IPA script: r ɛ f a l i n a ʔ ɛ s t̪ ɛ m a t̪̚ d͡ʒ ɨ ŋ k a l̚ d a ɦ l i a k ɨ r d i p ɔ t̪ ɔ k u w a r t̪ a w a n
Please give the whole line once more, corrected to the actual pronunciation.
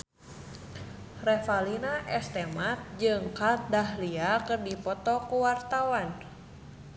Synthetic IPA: r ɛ f a l i n a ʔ ɛ s t̪ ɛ m a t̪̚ d͡ʒ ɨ ŋ k a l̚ d a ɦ l i a k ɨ r d i p ɔ t̪ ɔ k u w a r t̪ a w a n